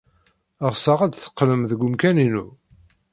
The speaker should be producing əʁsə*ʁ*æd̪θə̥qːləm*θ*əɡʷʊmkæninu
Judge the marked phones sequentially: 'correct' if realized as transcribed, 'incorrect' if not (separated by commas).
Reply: correct, incorrect